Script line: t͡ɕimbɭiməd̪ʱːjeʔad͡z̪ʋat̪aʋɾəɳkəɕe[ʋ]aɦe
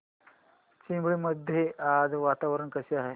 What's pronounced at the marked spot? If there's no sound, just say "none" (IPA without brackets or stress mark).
none